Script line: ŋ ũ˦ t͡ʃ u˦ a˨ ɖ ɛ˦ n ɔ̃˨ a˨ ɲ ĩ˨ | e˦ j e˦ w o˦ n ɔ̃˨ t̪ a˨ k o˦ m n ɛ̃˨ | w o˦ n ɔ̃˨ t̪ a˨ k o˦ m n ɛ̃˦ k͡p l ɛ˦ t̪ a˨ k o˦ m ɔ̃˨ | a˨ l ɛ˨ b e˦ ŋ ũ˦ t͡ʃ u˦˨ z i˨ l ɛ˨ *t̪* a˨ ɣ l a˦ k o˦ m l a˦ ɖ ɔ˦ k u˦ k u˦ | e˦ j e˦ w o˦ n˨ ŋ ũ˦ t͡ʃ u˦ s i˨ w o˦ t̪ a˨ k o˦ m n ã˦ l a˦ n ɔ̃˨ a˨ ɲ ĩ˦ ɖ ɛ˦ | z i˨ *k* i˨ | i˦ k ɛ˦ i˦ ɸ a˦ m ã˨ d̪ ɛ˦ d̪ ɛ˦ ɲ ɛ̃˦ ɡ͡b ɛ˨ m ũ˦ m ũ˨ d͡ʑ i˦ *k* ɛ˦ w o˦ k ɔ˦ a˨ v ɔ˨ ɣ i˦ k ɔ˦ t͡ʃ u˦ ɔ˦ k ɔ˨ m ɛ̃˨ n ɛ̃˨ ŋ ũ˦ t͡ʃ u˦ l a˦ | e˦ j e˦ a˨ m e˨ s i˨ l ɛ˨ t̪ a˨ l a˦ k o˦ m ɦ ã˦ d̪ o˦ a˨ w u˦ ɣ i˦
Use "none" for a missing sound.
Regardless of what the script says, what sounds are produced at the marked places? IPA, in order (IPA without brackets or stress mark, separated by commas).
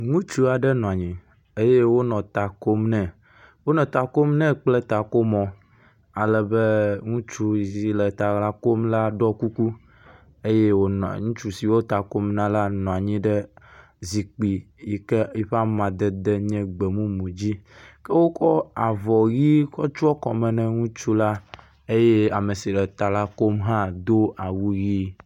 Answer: t̪, k͡p, k